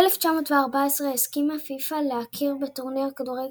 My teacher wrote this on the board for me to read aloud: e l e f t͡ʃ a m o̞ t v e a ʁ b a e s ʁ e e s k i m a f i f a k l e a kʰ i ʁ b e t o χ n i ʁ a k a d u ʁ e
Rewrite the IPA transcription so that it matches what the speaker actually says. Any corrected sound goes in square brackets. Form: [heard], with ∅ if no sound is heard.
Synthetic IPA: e l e f t͡ʃ a m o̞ t v e a ʁ b a e s ʁ e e s k i m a f i f a [∅] l e a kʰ i ʁ b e t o [ʁ] n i ʁ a k a d u ʁ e